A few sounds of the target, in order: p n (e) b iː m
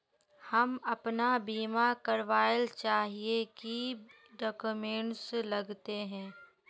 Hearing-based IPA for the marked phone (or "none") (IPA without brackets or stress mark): a